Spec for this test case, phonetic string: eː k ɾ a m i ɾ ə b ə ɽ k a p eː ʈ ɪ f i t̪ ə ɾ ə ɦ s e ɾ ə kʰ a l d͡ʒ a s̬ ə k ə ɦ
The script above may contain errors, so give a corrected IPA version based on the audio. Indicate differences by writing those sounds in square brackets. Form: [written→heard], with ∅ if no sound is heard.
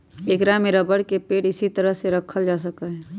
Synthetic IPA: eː k ɾ a m [i→e] ɾ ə b ə ɽ k [a→e] p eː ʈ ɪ [f→s] i t̪ ə ɾ ə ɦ s e ɾ ə kʰ [a→ə] l d͡ʒ a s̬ ə k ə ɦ